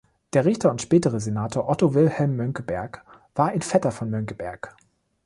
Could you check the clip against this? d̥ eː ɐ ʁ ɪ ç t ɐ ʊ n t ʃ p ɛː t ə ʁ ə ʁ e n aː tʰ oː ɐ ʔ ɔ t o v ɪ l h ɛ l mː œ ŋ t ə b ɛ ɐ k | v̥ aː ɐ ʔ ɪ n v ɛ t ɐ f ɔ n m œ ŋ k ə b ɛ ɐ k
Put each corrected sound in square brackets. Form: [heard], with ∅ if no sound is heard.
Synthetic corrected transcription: d̥ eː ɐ ʁ ɪ ç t ɐ ʊ n t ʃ p ɛː t ə ʁ ə [z] e n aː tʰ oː ɐ ʔ ɔ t o v ɪ l h ɛ l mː œ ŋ [k] ə b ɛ ɐ k | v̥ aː ɐ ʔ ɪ n [f] ɛ t ɐ f ɔ n m œ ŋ k ə b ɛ ɐ k